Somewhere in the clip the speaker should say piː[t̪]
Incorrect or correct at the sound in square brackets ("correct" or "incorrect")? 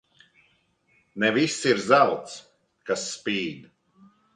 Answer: incorrect